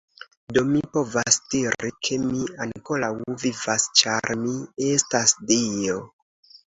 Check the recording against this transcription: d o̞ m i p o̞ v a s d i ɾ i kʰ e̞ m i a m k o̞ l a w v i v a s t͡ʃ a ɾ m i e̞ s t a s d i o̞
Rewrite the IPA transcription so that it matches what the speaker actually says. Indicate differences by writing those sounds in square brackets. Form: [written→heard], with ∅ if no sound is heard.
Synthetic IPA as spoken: d o̞ m i p o̞ v a s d i ɾ i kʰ e̞ m i a [m→ŋ] k o̞ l a w v i v a s t͡ʃ a ɾ m i e̞ s t a s d i o̞